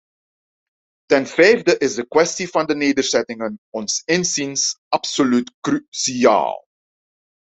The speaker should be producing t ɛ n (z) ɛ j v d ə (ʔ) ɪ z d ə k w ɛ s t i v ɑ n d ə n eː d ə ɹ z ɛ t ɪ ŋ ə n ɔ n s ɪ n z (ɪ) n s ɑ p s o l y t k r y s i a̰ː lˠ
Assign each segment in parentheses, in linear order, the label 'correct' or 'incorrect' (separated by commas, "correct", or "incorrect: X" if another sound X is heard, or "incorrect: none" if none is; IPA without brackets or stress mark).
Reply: incorrect: v, correct, incorrect: i